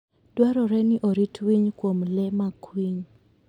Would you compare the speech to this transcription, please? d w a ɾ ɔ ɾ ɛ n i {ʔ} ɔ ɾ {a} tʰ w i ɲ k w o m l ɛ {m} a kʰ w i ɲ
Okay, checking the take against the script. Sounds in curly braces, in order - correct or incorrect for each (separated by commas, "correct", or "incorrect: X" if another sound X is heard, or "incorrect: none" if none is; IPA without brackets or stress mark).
correct, incorrect: i, correct